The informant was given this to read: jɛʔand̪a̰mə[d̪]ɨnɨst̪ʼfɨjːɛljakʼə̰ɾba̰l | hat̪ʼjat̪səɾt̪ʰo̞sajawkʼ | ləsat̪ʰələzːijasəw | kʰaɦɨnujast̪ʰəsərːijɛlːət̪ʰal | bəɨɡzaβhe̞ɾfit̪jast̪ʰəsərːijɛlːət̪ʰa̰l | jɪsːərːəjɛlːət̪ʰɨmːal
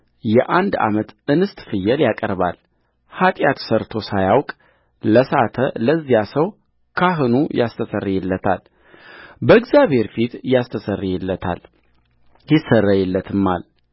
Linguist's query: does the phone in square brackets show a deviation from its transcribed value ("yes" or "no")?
yes